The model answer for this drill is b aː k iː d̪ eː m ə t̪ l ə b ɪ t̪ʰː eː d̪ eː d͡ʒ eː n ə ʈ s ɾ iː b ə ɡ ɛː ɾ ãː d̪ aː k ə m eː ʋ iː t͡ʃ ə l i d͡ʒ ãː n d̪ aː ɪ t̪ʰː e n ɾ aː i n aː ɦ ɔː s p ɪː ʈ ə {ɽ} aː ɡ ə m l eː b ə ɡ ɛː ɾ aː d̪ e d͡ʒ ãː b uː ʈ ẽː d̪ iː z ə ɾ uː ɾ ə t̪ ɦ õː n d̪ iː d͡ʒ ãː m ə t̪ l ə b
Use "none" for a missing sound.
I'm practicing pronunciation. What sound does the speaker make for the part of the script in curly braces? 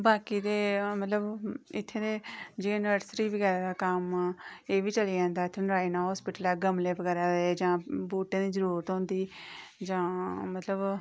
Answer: l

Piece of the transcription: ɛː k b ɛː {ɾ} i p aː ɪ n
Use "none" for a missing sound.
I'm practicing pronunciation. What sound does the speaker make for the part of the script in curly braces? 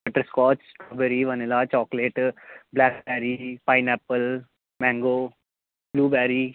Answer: ɾ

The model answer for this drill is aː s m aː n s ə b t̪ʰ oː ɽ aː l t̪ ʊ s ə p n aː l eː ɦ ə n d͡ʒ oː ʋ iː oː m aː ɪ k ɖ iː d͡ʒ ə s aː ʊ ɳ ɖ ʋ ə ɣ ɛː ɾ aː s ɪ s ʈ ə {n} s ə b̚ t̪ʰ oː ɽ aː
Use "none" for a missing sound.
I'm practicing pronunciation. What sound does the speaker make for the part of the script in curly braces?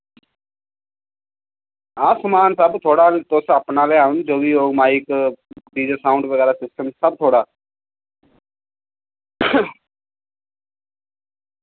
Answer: m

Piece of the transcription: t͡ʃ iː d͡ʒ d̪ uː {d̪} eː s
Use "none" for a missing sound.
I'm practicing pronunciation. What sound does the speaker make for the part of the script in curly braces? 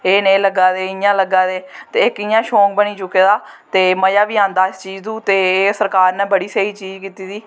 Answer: t̪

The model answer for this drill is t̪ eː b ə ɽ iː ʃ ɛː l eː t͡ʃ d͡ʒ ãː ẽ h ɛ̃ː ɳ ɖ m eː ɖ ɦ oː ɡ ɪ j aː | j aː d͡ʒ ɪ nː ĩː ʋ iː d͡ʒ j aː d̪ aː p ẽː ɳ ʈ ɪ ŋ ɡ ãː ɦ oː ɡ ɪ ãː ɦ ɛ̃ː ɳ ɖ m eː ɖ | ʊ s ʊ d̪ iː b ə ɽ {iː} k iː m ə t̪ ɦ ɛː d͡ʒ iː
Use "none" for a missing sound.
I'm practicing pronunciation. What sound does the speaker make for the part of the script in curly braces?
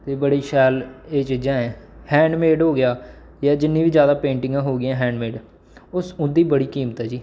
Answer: iː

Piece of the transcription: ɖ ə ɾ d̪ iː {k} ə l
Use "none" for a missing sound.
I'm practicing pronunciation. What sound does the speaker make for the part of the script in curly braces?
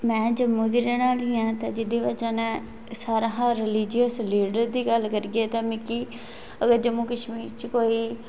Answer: ɡ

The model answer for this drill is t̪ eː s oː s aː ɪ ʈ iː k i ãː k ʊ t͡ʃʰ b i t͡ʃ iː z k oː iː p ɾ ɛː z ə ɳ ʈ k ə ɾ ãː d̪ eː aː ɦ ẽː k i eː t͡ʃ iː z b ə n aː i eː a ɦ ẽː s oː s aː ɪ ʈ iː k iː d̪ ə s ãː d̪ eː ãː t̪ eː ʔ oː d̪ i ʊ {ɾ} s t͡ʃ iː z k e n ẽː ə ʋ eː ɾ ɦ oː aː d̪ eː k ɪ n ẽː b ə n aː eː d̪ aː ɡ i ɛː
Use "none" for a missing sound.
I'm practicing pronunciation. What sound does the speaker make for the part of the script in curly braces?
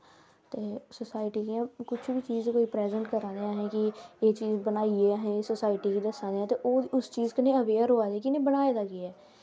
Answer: none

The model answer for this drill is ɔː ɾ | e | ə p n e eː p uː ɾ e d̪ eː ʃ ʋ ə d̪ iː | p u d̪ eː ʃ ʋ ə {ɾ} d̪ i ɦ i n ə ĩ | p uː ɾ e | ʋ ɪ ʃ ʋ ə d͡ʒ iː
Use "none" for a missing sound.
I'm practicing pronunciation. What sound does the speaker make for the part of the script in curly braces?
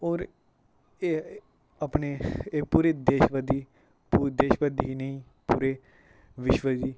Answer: none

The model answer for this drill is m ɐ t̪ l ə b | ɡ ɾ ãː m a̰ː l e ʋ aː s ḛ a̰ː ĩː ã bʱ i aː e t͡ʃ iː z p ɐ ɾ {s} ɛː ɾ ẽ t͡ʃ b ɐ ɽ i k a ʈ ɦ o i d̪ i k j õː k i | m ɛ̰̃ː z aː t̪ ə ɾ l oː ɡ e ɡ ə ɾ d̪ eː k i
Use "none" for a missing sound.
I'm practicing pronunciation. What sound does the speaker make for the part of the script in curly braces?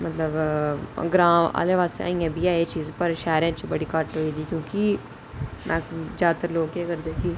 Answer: ʃ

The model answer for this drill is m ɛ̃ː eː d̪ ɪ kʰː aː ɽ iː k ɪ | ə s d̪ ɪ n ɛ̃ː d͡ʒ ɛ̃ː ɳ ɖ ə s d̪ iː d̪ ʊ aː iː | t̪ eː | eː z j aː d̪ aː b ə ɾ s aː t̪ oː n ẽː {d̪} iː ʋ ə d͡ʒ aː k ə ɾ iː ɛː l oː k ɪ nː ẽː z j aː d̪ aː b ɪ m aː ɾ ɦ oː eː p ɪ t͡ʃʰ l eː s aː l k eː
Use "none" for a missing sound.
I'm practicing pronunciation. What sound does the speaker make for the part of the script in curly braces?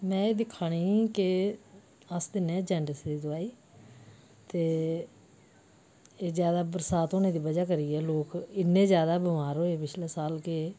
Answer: d̪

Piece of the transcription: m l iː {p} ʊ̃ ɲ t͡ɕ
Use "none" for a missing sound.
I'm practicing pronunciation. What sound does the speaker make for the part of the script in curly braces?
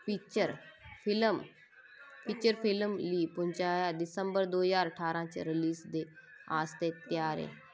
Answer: p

